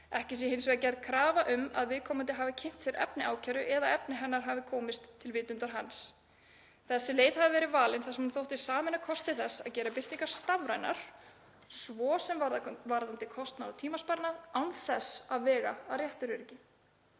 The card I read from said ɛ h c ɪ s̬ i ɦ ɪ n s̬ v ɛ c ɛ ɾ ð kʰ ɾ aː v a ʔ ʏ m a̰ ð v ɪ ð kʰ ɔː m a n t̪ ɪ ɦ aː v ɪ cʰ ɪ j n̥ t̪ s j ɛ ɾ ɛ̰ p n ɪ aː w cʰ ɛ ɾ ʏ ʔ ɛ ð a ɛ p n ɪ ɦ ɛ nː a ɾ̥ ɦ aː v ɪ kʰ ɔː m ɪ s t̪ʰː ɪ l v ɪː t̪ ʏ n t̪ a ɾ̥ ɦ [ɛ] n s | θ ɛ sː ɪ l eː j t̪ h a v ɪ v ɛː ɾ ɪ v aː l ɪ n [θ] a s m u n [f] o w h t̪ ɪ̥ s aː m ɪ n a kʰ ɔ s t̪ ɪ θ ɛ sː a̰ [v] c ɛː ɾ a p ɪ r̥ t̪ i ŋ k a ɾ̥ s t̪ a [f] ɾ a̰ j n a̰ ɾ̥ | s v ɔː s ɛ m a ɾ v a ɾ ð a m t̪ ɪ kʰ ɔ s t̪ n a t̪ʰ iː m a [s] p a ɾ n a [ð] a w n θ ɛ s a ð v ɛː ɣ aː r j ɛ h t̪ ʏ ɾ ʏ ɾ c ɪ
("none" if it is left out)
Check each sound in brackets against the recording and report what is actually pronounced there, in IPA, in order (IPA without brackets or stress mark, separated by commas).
a, θ, θ, ð, v, s, ð